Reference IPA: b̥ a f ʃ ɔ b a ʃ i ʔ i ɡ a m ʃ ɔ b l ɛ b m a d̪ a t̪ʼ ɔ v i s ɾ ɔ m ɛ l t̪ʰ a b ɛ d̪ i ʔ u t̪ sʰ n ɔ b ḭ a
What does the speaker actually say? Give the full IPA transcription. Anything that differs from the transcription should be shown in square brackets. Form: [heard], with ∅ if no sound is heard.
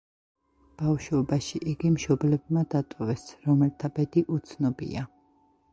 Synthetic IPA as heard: b̥ a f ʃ ɔ b a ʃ i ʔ i ɡ [i] m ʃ ɔ b l ɛ b m a d̪ a t̪ʼ ɔ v [ɛ] s ɾ ɔ m ɛ l t̪ʰ a b ɛ d̪ i ʔ u t̪ sʰ n ɔ b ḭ a